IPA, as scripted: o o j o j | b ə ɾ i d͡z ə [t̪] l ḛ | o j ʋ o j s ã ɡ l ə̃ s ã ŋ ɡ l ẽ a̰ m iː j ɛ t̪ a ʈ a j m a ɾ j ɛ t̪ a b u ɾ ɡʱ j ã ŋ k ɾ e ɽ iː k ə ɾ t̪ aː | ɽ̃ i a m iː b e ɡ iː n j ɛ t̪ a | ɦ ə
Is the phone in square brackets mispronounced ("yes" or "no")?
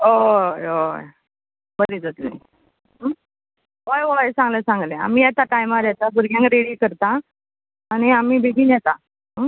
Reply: no